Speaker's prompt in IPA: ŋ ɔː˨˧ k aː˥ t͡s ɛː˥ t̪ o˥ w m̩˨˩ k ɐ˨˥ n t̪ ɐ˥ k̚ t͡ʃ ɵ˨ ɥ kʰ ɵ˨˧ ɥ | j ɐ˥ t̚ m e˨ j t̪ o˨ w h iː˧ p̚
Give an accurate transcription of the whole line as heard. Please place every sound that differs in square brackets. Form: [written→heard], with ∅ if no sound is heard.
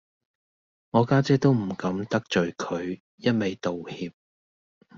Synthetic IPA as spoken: ŋ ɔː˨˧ k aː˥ t͡s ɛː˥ t̪ o˥ w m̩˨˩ k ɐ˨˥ [n→m] t̪ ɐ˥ k̚ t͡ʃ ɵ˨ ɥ kʰ ɵ˨˧ ɥ | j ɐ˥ t̚ m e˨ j t̪ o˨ w h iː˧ p̚

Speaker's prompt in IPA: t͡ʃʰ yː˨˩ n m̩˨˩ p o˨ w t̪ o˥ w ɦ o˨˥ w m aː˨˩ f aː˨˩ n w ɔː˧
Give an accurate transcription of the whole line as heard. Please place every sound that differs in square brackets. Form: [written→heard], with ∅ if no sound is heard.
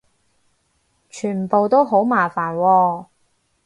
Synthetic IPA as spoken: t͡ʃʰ yː˨˩ n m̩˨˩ p o˨ w t̪ o˥ w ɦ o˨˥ w m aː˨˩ f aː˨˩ n w ɔː˧

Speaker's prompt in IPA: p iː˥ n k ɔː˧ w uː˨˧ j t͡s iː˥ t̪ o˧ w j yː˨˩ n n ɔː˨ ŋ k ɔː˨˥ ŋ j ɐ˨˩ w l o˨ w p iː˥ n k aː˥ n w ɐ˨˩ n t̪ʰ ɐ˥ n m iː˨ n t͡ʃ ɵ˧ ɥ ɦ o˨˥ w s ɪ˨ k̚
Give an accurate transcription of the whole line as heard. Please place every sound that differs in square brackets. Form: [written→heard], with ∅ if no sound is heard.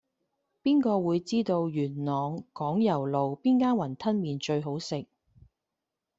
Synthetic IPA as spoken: p iː˥ n k ɔː˧ w uː˨˧ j t͡s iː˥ t̪ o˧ w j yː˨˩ n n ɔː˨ ŋ k ɔː˨˥ ŋ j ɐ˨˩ w l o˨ w p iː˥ n k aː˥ n w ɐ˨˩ n t̪ʰ ɐ˥ n m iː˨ n t͡ʃ ɵ˧ ɥ ɦ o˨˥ w s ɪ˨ k̚

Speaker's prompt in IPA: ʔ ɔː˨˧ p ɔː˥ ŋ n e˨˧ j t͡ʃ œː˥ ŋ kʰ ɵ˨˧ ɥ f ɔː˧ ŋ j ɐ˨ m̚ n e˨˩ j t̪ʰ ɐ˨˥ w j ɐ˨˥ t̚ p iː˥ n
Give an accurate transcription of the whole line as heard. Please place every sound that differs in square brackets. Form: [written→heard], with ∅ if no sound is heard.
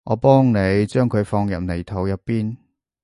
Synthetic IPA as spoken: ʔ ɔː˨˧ p ɔː˥ ŋ n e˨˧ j t͡ʃ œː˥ ŋ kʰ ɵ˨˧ ɥ f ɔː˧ ŋ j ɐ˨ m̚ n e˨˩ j t̪ʰ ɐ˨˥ w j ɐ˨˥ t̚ p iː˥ n

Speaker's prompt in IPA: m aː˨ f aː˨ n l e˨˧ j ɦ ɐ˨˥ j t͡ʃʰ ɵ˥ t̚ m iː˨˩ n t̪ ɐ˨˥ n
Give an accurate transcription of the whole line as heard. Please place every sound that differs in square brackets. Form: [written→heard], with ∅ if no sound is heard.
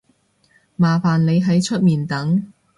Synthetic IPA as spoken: m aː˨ f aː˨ n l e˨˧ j ɦ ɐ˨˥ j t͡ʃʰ ɵ˥ t̚ m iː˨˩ n t̪ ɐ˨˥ [n→ŋ]

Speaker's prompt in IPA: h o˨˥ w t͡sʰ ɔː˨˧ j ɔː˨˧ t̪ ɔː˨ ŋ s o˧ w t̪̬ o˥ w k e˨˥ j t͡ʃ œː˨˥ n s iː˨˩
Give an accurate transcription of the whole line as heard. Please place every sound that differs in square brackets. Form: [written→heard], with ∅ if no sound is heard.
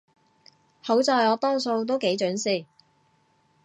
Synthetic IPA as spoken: h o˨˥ w [t͡sʰ→t͡s] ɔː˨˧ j ɔː˨˧ t̪ [ɔː˨→ɔː˥] ŋ s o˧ w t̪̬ o˥ w k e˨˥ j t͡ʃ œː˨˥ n s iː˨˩

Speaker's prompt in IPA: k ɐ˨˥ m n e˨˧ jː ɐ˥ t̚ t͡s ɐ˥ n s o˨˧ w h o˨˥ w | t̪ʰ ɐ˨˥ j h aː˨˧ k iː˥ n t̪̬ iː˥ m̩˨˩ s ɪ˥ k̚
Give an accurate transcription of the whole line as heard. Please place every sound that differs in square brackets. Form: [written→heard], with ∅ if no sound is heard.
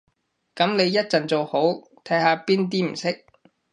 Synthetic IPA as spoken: k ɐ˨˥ m n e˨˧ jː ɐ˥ t̚ t͡s [ɐ˥→ɐ˨] n [s→t͡s] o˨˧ w h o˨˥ w | t̪ʰ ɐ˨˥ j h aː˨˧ [k→p] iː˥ n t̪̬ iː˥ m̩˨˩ s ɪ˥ k̚

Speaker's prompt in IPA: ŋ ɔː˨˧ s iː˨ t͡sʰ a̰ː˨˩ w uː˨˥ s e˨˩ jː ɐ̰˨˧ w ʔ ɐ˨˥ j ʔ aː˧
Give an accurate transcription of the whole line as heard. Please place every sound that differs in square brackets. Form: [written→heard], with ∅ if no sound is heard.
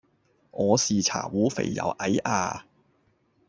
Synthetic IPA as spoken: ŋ ɔː˨˧ s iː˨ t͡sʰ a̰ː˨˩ w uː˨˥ [s→f] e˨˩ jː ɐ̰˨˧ w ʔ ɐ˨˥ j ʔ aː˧

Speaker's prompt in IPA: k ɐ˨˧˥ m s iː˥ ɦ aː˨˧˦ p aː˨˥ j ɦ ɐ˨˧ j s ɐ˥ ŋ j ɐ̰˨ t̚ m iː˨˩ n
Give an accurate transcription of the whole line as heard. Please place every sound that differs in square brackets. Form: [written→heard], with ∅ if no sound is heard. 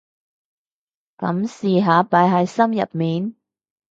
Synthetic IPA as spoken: k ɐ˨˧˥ m s [iː˥→iː˨] ɦ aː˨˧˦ p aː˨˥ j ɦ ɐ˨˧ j s ɐ˥ [ŋ→m] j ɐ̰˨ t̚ m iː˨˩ n

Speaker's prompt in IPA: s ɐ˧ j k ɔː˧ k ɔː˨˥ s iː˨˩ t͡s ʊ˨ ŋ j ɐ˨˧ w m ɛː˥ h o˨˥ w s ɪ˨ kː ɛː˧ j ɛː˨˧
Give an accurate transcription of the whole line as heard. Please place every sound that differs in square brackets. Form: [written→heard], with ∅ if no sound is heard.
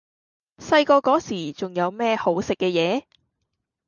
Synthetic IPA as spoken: s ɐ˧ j k ɔː˧ k ɔː˨˥ s iː˨˩ t͡s ʊ˨ ŋ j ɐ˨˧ w m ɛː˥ h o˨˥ w s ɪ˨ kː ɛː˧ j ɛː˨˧

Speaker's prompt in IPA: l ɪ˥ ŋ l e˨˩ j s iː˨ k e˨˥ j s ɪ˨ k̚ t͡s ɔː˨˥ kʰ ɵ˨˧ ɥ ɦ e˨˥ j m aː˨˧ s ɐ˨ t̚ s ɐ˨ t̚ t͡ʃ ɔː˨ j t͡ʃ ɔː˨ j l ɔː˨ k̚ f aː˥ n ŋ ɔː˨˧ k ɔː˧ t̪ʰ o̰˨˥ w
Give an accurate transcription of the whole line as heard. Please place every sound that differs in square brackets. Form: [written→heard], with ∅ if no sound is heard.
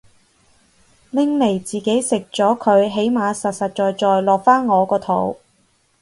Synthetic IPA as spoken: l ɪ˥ ŋ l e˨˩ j [s→t͡s] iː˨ k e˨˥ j s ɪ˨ k̚ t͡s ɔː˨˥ kʰ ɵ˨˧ ɥ ɦ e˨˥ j m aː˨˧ s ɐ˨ t̚ s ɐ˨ t̚ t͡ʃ ɔː˨ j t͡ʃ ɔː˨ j l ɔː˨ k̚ f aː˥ n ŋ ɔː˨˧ k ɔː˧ t̪ʰ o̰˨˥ w

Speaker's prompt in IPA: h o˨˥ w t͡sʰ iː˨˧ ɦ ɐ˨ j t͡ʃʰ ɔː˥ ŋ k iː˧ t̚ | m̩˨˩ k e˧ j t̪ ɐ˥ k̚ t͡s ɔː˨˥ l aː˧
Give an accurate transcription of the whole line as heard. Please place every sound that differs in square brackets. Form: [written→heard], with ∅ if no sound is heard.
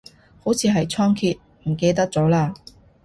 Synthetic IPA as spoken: h o˨˥ w t͡sʰ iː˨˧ ɦ ɐ˨ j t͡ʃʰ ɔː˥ ŋ [k→kʰ] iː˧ t̚ | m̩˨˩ k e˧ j t̪ ɐ˥ k̚ t͡s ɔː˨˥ l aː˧

